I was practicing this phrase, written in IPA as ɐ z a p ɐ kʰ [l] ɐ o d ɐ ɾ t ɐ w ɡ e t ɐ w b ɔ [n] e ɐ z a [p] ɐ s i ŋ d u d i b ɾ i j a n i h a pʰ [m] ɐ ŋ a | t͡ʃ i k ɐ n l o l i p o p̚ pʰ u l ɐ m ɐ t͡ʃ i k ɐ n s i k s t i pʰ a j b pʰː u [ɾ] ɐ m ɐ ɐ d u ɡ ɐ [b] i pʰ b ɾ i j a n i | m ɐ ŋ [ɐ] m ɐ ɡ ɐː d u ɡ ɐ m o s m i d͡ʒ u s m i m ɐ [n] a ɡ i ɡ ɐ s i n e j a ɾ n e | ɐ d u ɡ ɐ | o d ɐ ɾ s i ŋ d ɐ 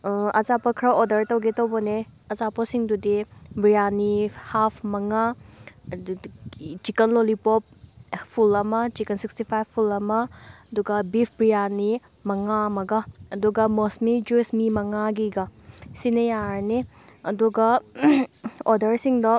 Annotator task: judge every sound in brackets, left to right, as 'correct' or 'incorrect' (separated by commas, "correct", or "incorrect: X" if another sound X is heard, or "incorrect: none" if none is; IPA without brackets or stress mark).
incorrect: ɾ, correct, correct, correct, incorrect: l, correct, incorrect: a, incorrect: ŋ